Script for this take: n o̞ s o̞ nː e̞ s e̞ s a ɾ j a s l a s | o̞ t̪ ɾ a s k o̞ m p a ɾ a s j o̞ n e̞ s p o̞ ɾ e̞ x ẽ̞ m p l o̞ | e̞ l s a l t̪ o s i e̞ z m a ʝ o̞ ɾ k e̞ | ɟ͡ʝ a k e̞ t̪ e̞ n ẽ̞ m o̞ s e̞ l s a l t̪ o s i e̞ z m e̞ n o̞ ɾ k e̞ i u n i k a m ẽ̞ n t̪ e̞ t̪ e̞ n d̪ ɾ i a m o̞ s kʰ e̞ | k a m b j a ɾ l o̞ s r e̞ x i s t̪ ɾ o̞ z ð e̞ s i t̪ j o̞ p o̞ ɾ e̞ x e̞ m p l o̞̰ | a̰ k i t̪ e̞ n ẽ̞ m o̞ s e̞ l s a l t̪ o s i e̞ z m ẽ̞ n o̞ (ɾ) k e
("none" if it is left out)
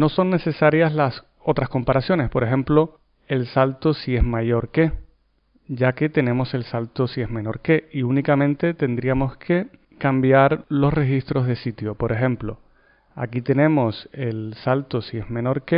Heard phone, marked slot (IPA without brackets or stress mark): ɾ